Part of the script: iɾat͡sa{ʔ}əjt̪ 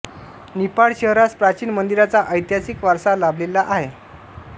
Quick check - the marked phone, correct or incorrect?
correct